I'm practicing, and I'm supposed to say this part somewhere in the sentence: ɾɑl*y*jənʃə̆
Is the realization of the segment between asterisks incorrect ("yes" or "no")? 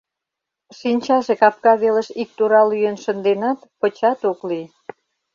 no